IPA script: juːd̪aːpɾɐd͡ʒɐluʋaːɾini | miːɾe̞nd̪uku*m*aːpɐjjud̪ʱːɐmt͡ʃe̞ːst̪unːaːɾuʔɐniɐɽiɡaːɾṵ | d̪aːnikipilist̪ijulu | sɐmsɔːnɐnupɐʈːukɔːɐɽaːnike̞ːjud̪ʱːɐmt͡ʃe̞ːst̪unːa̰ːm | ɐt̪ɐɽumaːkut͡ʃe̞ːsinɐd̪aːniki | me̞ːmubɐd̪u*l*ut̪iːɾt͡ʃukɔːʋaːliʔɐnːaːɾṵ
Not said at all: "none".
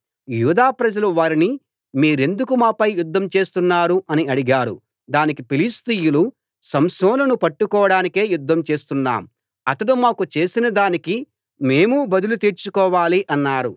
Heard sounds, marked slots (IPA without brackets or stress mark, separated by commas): m, l